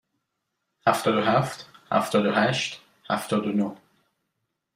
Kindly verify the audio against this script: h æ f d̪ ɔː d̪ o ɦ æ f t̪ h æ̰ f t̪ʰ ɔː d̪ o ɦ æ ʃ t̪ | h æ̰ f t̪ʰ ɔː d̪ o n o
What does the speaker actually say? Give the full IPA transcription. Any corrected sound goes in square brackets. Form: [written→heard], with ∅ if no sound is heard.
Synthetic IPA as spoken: h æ f [d̪→t̪] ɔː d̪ o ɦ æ f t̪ h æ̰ f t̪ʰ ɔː d̪ o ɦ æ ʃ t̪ | h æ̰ f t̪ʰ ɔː d̪ o n o

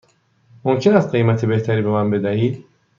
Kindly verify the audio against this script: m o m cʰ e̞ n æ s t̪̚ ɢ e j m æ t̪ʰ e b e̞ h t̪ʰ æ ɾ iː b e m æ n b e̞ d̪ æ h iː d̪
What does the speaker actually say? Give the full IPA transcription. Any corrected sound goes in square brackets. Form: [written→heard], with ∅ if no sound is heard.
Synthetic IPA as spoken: m o m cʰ e̞ n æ s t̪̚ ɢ e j m æ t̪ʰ e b e̞ h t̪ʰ æ ɾ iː b e m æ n b e̞ d̪ æ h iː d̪

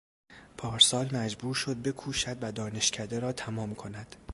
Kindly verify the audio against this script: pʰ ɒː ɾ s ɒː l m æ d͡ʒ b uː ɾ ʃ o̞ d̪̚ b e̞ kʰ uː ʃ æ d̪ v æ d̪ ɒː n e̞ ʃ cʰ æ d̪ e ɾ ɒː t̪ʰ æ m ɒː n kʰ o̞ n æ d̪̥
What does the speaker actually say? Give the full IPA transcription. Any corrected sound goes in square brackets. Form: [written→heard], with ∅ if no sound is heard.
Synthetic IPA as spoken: pʰ ɒː ɾ s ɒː l m æ d͡ʒ b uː ɾ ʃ o̞ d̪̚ b e̞ kʰ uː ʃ æ d̪ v æ d̪ ɒː n e̞ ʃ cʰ æ d̪ e ɾ ɒː t̪ʰ æ m ɒː [n→m] kʰ o̞ n æ d̪̥

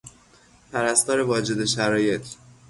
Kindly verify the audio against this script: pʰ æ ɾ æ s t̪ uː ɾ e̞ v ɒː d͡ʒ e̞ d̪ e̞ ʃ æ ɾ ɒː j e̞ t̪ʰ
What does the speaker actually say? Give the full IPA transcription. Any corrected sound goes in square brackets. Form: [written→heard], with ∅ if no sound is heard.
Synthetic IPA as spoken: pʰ æ ɾ æ s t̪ [uː→ɒː] ɾ e̞ v ɒː d͡ʒ e̞ d̪ e̞ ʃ æ ɾ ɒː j e̞ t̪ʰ

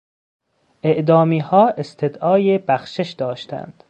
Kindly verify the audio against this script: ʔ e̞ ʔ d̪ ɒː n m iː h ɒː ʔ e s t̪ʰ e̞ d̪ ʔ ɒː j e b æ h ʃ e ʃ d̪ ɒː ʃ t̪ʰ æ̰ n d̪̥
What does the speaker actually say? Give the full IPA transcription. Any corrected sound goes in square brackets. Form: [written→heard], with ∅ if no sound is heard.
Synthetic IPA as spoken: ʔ e̞ ʔ d̪ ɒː [n→∅] m iː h ɒː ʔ e s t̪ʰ e̞ d̪ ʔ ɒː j e b æ [h→x] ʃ e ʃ d̪ ɒː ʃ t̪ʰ æ̰ n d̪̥

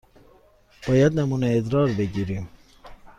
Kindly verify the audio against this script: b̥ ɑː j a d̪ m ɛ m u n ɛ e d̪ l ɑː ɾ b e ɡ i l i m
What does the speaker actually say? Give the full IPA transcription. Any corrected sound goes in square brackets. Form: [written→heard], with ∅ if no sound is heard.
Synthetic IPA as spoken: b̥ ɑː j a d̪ [m→n] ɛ m u n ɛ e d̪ [l→ɾ] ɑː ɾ b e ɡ i [l→ɾ] i m

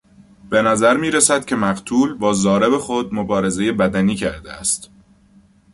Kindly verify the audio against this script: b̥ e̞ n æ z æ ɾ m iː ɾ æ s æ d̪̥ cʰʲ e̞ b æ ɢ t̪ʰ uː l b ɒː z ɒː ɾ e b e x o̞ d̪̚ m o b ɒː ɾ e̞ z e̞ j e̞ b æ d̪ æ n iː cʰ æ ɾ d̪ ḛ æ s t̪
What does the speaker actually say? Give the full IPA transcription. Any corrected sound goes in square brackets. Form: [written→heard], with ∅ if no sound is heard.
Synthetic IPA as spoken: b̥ e̞ n æ z æ ɾ m iː ɾ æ s æ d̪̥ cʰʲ e̞ [b→m] æ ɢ t̪ʰ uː l b ɒː z ɒː ɾ e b e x o̞ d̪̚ m o b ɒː ɾ e̞ z e̞ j e̞ b æ d̪ æ n iː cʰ æ ɾ d̪ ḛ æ s t̪

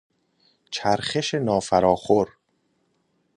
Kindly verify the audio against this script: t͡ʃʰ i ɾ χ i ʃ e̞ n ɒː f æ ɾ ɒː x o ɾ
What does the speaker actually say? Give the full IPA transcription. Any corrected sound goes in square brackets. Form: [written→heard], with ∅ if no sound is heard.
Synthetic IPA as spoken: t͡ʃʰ [i→æ] ɾ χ [i→e] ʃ e̞ n ɒː f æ ɾ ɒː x o ɾ

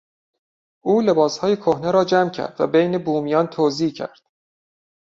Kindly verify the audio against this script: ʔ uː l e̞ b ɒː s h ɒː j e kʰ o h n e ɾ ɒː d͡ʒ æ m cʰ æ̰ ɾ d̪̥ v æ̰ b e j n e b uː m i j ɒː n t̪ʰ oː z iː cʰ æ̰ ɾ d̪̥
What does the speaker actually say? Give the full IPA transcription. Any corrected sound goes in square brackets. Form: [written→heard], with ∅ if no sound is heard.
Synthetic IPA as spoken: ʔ uː l e̞ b ɒː s h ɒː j e kʰ o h n e ɾ ɒː d͡ʒ æ m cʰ æ̰ ɾ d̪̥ v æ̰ b e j n e b uː m i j ɒː n t̪ʰ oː z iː cʰ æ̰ ɾ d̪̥

